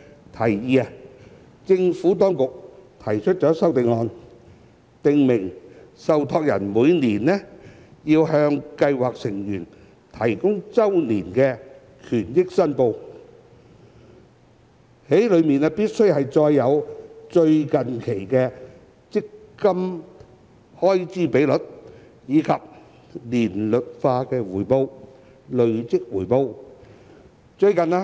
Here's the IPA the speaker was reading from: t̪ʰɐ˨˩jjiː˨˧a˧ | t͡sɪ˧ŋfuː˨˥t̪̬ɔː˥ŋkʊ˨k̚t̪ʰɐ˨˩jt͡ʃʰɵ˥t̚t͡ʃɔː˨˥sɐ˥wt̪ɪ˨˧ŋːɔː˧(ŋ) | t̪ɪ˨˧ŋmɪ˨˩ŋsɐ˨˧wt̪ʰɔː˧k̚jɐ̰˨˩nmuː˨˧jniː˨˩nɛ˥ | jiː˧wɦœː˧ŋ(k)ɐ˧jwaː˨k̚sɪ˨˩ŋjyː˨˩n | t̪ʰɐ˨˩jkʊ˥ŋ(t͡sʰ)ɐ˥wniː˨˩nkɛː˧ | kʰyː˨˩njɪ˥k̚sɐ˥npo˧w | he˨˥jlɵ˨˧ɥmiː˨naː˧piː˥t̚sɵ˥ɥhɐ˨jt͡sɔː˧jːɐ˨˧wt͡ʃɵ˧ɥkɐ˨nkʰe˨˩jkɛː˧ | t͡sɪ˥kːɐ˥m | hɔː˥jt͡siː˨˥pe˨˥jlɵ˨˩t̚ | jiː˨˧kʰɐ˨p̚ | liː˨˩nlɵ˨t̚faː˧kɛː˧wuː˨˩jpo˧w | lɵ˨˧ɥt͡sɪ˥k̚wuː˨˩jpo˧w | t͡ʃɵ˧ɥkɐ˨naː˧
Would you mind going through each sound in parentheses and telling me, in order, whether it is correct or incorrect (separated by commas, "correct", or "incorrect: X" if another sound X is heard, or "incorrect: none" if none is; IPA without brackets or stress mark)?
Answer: incorrect: n, correct, incorrect: t͡s